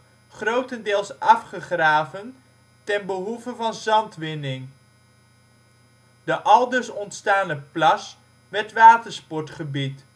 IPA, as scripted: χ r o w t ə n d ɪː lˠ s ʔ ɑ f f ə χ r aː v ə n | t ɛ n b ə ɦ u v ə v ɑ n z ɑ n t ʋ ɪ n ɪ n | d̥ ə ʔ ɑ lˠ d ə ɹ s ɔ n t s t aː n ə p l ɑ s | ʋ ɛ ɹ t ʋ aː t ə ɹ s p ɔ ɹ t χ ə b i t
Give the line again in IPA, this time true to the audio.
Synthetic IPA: χ r o w t ə n d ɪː lˠ s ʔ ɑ f χ ə χ r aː v ə n | t ɛ n b ə ɦ u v ə v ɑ n z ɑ n t ʋ ɪ n ɪ ŋ | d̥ ə ʔ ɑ lˠ d ə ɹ s ɔ n t s t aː n ə p l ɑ s | ʋ ɛ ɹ t ʋ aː t ə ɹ s p ɔ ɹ t χ ə b i t